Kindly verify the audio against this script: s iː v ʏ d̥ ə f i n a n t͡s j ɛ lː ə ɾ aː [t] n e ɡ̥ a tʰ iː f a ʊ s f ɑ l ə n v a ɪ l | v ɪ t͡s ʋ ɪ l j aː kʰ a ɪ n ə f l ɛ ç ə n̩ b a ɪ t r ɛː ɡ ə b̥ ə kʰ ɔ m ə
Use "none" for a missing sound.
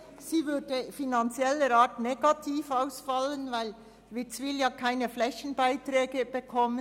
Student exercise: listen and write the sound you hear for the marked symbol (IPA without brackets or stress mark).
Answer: t